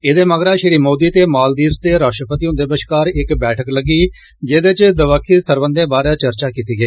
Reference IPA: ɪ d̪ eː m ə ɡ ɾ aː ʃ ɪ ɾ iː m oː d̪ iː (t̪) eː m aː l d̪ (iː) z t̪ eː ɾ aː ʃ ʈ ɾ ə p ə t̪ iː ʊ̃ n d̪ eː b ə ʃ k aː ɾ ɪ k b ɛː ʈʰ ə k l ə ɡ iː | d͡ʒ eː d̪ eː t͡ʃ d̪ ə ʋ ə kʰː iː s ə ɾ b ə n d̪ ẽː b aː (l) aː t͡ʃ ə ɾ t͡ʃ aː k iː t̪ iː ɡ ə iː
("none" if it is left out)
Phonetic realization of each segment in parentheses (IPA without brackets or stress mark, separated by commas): t̪, iː, ɾ